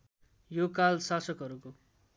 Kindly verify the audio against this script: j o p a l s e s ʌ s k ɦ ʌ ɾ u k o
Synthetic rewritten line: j o k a l s a s ʌ k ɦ ʌ ɾ u k o